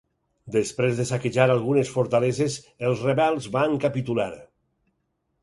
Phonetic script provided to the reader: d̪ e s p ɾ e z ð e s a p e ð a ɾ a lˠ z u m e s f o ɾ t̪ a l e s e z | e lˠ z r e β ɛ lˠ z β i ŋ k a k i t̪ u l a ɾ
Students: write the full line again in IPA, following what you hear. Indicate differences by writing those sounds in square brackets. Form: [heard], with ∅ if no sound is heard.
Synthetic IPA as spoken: d̪ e s p ɾ e z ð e s a [k] e [ʒ] a ɾ a lˠ [ɣ] u [n] e s f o ɾ t̪ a l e [z] e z | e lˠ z r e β ɛ lˠ z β [a] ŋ k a [p] i t̪ u l a ɾ

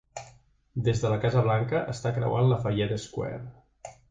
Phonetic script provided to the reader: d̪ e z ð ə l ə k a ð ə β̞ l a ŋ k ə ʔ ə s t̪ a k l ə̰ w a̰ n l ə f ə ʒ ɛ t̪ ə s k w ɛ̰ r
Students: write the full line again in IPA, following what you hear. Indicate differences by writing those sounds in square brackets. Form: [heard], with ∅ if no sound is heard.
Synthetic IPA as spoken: d̪ e z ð ə l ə k a [z] ə β̞ l a ŋ k ə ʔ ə s t̪ a k [ɾ] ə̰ w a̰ n l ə f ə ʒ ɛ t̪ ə s k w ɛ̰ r

